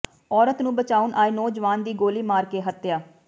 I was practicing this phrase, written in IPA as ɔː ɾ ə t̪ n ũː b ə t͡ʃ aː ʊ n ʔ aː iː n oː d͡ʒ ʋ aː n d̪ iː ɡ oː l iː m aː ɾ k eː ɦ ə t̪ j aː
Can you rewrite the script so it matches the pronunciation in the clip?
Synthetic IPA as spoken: ɔː ɾ ə t̪ n ũː b ə t͡ʃ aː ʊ n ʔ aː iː n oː d͡ʒ ʋ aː n d̪ iː ɡ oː l iː m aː ɾ k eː ɦ ə t̪ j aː